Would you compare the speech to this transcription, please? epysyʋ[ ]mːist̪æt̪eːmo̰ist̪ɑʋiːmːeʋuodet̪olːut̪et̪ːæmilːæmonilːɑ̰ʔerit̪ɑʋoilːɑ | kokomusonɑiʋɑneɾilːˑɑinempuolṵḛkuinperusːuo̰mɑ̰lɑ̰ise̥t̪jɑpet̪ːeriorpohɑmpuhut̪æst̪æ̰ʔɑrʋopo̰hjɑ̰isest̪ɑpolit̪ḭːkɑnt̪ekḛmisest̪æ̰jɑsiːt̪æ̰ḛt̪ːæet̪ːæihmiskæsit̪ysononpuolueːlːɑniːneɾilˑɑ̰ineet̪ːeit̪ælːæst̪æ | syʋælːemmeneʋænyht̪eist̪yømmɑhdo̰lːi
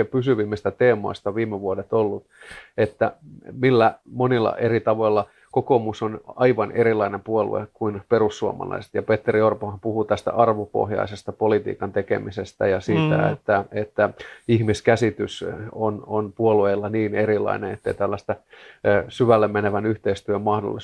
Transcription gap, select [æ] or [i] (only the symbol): i